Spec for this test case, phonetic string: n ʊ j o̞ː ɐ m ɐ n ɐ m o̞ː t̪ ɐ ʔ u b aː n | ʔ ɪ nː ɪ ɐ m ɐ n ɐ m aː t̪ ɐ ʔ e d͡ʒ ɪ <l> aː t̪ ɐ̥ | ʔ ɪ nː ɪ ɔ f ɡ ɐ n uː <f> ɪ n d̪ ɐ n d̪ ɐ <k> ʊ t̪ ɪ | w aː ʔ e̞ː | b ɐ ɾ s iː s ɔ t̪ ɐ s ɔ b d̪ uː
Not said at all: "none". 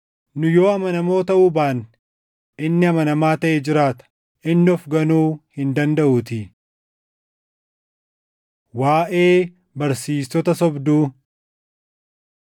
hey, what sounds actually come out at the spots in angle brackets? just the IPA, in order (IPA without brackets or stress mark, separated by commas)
ɾ, h, ʔ